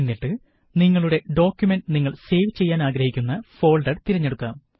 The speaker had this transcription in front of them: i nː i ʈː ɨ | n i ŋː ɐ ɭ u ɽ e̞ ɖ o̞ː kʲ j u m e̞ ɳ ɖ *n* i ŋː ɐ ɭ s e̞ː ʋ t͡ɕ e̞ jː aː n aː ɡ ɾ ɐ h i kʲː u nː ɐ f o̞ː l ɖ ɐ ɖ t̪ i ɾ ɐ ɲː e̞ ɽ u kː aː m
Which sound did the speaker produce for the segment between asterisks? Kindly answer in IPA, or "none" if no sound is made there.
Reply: n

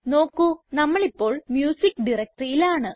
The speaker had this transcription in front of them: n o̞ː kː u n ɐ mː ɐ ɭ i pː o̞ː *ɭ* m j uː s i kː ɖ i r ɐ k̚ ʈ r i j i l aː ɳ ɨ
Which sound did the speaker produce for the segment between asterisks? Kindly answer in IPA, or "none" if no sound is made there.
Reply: ɭ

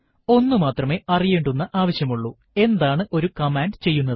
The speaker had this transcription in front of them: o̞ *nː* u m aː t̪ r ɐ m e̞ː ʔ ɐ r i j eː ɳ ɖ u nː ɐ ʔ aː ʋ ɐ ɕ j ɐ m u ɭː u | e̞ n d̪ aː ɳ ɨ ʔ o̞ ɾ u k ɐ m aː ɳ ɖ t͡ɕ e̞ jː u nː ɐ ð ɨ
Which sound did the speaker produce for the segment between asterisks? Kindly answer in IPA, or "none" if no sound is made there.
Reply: nː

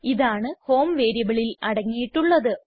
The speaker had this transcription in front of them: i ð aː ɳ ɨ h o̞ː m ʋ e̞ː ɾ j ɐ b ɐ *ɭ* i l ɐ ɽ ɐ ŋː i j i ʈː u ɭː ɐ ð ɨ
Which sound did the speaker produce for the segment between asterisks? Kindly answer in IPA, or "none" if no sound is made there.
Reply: ɭ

